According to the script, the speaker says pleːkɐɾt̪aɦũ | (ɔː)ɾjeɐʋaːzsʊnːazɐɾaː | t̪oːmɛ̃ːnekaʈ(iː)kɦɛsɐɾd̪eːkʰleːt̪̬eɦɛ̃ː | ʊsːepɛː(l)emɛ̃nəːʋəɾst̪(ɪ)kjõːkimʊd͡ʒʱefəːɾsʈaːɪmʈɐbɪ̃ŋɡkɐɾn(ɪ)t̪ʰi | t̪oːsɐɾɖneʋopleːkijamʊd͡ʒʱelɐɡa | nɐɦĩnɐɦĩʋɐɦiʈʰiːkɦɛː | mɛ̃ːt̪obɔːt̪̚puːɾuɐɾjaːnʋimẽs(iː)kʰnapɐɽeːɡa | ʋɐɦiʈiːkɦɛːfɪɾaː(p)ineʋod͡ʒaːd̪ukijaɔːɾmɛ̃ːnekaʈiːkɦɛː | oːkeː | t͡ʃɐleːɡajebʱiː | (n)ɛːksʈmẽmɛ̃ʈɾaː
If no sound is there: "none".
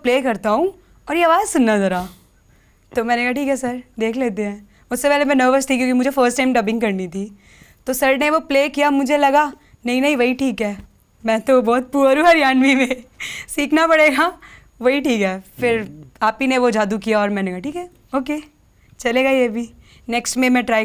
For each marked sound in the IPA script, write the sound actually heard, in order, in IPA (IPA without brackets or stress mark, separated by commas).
ɔː, iː, l, i, i, iː, p, n